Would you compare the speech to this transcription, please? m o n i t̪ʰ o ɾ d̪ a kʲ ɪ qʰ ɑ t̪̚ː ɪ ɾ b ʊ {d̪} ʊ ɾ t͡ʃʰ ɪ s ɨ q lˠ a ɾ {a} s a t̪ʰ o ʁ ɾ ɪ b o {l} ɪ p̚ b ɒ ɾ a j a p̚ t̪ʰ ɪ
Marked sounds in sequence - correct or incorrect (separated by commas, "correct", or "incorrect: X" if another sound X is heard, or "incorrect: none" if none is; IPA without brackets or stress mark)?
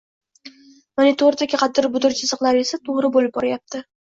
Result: correct, incorrect: e, correct